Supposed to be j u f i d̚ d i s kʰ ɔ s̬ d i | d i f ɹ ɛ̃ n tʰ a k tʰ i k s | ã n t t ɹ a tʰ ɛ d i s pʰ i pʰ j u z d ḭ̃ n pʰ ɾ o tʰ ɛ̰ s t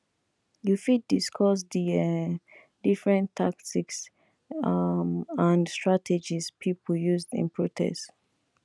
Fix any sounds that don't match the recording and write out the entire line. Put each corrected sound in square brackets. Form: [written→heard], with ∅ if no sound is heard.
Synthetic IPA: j u f i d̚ d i s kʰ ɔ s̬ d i | d i f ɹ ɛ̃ n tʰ a k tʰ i k s | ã n [t→s] t ɹ a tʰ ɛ [d→d͡ʒ] i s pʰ i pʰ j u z d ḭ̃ n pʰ [ɾ→ɹ] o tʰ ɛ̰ s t